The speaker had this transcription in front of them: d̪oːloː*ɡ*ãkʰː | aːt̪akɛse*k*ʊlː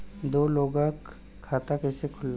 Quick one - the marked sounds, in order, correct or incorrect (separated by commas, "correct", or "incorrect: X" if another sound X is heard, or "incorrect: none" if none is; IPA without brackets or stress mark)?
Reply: correct, incorrect: kʰ